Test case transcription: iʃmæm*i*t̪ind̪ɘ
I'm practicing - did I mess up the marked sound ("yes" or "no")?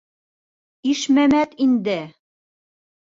yes